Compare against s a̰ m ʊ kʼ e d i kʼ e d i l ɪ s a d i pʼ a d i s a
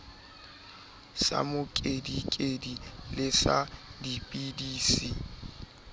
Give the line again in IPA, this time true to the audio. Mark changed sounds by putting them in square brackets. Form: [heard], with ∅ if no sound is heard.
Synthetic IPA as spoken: s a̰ m ʊ kʼ e d i kʼ e d i l ɪ s a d i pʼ [i] d [iː] s [i]